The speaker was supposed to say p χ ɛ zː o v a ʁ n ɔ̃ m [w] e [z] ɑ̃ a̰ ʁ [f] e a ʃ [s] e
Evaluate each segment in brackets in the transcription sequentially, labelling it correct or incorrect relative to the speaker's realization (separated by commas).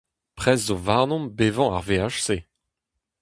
incorrect, incorrect, incorrect, correct